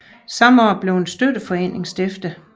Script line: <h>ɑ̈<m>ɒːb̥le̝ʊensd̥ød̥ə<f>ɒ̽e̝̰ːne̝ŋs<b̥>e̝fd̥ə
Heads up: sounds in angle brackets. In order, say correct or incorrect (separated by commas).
incorrect, correct, correct, incorrect